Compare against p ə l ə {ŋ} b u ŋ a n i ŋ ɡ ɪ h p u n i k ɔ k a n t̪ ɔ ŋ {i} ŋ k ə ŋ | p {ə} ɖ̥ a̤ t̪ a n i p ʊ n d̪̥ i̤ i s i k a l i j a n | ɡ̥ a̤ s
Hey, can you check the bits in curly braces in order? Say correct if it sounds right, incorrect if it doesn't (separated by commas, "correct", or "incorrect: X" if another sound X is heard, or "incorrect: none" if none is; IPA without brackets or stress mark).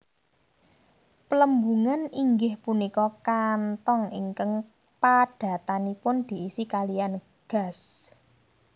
incorrect: m, correct, incorrect: a